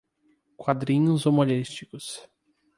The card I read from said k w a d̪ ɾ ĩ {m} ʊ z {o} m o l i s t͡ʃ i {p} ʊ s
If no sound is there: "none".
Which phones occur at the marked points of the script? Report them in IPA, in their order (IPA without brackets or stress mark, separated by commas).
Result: ɲ, o, k